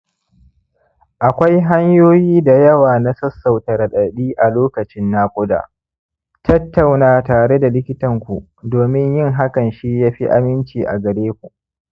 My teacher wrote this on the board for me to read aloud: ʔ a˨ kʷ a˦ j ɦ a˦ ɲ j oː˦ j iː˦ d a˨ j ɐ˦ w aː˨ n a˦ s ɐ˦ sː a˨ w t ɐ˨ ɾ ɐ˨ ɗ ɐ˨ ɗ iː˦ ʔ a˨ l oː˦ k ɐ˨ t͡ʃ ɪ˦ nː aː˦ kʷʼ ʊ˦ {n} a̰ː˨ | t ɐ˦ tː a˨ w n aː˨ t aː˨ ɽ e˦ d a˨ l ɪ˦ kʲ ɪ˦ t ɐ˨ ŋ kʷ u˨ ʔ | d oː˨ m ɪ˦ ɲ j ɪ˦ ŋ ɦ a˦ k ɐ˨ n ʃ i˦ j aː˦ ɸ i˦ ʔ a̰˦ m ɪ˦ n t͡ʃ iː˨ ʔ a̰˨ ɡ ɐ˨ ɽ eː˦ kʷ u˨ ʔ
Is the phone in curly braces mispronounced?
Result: yes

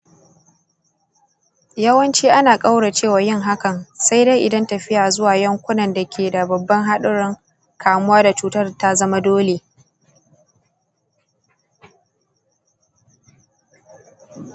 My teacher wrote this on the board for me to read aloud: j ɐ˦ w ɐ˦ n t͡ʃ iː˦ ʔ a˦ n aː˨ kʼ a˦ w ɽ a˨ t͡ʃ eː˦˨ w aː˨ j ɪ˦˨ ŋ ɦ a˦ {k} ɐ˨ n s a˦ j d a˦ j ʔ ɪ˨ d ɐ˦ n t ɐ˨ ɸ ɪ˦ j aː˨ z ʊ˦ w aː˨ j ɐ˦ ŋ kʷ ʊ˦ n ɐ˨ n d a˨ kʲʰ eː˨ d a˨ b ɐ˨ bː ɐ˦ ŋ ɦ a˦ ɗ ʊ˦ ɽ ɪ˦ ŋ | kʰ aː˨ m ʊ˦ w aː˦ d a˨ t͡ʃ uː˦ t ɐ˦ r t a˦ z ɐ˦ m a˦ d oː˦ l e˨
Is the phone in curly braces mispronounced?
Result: no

